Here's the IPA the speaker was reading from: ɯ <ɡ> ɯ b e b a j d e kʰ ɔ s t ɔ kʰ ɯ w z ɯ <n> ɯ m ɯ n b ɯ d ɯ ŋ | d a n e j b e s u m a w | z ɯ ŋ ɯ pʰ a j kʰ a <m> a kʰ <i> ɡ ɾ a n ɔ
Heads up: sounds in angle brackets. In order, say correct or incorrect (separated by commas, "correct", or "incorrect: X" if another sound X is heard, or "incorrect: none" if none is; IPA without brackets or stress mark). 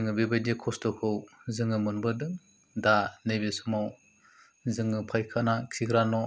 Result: incorrect: ŋ, incorrect: ŋ, incorrect: n, correct